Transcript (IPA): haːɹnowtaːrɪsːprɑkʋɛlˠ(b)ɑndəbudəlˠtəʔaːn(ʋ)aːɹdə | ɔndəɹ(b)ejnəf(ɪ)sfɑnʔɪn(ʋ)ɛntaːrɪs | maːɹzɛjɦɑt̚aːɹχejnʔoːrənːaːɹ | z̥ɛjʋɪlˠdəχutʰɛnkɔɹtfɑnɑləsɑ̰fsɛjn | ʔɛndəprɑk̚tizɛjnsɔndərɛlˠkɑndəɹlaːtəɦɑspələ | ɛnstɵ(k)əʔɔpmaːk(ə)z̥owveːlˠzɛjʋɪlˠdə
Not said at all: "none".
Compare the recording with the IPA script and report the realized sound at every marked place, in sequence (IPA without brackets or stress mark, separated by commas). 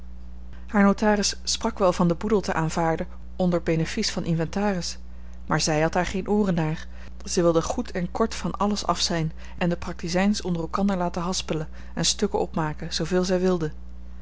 v, v, b, i, v, k, ə